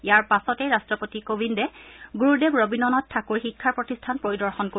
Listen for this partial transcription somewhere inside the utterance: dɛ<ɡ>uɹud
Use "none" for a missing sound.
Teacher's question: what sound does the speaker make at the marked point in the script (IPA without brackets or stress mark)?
ɡ